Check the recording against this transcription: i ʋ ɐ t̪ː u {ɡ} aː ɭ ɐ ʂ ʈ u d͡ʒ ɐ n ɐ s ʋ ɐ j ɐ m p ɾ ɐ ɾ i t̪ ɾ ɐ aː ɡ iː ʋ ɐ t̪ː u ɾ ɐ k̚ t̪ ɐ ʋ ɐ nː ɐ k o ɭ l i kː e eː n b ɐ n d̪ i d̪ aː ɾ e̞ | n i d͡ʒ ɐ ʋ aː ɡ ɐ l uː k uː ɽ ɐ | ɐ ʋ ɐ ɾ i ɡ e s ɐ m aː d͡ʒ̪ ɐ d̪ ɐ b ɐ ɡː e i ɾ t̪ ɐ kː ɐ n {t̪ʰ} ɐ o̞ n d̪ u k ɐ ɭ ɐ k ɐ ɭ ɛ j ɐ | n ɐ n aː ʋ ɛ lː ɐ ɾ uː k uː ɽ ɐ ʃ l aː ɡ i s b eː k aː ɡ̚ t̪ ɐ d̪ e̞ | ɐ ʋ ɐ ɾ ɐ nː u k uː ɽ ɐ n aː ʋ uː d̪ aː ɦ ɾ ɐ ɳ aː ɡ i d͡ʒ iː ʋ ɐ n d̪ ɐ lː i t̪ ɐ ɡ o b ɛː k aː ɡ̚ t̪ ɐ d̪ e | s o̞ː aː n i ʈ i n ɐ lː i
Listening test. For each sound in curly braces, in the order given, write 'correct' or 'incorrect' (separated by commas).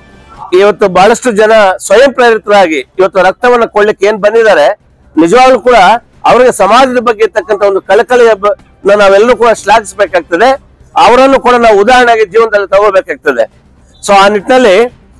incorrect, incorrect